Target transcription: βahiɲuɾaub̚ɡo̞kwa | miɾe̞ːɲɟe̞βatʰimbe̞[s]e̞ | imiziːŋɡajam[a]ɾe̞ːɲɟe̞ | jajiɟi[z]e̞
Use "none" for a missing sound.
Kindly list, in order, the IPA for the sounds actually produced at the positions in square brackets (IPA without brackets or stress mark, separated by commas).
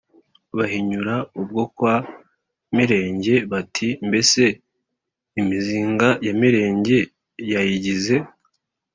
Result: s, i, z